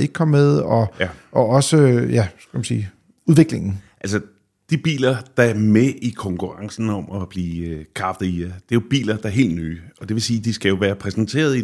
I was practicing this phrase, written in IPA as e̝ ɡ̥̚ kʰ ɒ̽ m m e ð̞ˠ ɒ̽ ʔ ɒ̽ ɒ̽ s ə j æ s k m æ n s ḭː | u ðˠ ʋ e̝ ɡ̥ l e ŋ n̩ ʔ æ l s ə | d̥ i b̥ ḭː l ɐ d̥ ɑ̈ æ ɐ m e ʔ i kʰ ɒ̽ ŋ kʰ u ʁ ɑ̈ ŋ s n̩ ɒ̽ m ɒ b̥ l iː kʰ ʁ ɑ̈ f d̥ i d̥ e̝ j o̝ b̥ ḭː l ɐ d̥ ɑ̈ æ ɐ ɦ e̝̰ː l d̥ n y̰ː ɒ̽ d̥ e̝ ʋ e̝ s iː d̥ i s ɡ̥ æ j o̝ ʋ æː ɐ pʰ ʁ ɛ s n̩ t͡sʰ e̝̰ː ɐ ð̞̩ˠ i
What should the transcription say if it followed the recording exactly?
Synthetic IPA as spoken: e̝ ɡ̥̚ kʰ ɒ̽ m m e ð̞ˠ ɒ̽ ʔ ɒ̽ ɒ̽ s ə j æ s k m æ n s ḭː | u ðˠ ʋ e̝ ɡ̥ l e ŋ n̩ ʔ æ l s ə | d̥ i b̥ ḭː l ɐ d̥ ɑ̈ æ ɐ m e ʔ i kʰ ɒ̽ ŋ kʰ u ʁ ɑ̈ ŋ s n̩ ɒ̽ m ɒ b̥ l iː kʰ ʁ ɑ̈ f d̥ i d̥ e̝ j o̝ b̥ ḭː l ɐ d̥ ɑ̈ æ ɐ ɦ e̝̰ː l d̥ n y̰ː ɒ̽ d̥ e̝ ʋ e̝ s iː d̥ i s ɡ̥ æ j o̝ ʋ æː ɐ pʰ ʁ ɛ s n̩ t͡sʰ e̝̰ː ɐ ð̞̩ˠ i